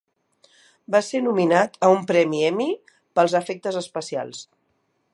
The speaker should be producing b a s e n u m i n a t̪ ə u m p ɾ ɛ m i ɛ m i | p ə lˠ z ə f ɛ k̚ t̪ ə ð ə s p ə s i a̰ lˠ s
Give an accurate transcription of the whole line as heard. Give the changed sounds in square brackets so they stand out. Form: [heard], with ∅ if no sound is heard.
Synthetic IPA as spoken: b a s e n u m i n a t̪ ə u m p ɾ ɛ m i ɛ m i | p ə lˠ z ə f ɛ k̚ t̪ ə [z] ə s p ə s i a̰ lˠ s